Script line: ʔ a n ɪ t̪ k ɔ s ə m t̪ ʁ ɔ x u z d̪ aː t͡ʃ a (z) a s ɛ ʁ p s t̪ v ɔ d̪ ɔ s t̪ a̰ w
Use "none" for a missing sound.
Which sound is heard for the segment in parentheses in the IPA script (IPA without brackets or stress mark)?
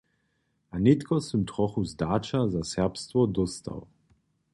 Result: z